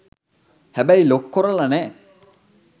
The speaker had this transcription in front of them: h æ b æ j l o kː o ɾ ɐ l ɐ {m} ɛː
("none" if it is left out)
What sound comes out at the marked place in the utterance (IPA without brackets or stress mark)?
n